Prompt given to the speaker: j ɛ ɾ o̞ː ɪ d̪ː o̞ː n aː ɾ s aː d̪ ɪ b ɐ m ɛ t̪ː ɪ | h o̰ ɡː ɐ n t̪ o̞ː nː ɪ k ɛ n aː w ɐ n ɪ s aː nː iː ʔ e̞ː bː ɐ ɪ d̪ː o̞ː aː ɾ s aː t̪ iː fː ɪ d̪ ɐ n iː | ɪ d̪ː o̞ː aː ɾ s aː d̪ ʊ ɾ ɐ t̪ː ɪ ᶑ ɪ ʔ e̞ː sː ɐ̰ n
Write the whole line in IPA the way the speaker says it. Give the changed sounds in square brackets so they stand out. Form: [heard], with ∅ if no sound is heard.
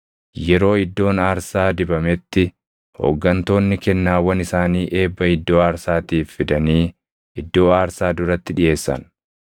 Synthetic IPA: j ɛ ɾ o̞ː ɪ d̪ː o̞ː n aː ɾ s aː d̪ ɪ b ɐ m ɛ t̪ː ɪ | h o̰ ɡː ɐ n t̪ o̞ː nː ɪ k ɛ [nː] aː w ɐ n ɪ s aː [n] iː ʔ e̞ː bː ɐ ɪ d̪ː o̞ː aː ɾ s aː t̪ iː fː ɪ d̪ ɐ n iː | ɪ d̪ː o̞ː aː ɾ s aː d̪ ʊ ɾ ɐ t̪ː ɪ ᶑ ɪ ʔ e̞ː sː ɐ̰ n